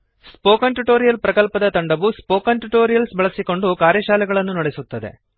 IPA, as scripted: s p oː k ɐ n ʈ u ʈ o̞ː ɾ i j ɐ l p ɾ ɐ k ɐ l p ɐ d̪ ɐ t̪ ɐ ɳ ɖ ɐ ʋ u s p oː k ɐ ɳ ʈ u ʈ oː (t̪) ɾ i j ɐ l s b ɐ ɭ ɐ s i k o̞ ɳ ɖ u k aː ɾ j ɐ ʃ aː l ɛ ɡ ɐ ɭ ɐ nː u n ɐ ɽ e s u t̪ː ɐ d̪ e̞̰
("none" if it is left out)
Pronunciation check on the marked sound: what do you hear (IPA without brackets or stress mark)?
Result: none